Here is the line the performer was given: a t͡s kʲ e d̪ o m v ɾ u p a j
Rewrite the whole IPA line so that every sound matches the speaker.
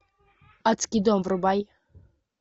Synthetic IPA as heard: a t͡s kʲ i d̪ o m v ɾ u b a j